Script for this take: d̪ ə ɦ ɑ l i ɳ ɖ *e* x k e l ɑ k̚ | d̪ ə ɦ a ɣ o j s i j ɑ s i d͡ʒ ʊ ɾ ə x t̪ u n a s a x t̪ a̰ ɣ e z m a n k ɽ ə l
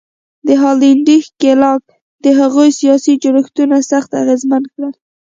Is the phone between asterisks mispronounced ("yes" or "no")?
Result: yes